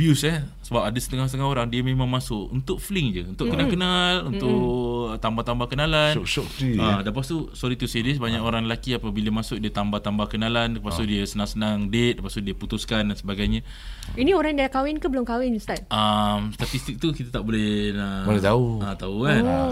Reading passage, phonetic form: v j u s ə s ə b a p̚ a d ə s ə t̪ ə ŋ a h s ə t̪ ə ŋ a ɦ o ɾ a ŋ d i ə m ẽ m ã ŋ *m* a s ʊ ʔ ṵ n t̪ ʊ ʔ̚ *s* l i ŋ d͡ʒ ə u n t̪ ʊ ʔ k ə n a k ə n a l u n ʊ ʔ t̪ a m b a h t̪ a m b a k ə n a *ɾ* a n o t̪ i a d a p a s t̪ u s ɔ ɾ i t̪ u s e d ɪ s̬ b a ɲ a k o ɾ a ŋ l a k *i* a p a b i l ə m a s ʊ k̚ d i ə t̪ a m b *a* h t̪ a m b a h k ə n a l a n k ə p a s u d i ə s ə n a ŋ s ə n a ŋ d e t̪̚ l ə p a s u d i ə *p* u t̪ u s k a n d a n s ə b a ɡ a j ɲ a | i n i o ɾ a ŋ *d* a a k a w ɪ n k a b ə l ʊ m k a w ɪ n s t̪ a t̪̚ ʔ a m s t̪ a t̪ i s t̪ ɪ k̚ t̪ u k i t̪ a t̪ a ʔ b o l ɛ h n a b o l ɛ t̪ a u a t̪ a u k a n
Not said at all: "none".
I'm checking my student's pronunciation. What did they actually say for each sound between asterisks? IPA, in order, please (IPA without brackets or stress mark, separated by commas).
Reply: m, f, l, i, a, p, d